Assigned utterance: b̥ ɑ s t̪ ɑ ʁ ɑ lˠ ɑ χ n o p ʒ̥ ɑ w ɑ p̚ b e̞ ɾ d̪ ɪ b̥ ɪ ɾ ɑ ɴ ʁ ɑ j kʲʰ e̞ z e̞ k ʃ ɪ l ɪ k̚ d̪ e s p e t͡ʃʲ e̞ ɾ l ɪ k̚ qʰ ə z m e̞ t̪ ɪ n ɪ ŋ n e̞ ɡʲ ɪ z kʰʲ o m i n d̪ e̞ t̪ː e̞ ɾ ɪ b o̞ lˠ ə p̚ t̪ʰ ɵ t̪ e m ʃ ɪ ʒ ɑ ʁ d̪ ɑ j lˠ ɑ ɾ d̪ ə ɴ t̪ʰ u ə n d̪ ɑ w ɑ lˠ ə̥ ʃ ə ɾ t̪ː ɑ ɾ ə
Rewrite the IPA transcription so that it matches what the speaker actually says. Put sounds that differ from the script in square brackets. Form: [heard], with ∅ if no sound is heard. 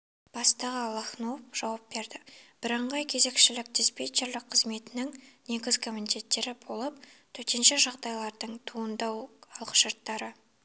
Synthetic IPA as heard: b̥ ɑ s t̪ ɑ ʁ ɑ lˠ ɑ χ n o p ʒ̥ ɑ w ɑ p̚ b e̞ ɾ d̪ ɪ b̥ ɪ ɾ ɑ ɴ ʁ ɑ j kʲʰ e̞ z e̞ k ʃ ɪ l ɪ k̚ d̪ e s p e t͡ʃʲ e̞ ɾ l ɪ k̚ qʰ ə z m e̞ t̪ ɪ n ɪ ŋ n e̞ ɡʲ ɪ z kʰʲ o m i n [t̪] e̞ t̪ː e̞ ɾ ɪ b o̞ lˠ ə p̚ t̪ʰ ɵ t̪ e [n] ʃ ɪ ʒ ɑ ʁ d̪ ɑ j lˠ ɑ ɾ d̪ ə ɴ t̪ʰ u ə n d̪ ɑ w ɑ lˠ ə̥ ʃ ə ɾ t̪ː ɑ ɾ ə